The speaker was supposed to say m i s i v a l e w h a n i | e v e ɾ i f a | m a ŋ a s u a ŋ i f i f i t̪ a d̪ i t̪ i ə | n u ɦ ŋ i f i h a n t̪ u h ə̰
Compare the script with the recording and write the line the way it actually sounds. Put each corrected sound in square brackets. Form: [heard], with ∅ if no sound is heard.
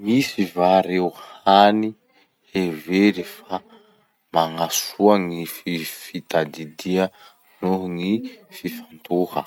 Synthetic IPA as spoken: m i s i v a [ɾ] e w h a n i | e v e ɾ i f a | m a ŋ a s u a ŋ i f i f i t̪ a d̪ i [d̪] i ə | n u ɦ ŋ i f i [f] a n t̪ u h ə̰